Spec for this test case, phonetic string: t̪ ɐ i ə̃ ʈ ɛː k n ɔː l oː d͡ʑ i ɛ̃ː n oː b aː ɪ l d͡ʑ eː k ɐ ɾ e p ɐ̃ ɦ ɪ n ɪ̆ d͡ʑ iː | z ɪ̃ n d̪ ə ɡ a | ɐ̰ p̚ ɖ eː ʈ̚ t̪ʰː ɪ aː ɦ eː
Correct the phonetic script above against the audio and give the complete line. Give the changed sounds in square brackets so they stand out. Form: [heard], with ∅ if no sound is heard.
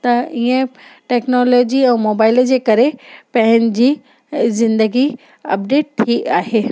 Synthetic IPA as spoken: t̪ ɐ i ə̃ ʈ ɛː k n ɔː l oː d͡ʑ i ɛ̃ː [m] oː b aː ɪ l d͡ʑ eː k ɐ ɾ e p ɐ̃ ɦ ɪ n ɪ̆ d͡ʑ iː | z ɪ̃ n d̪ ə ɡ [i] | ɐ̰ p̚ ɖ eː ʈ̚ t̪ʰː [i] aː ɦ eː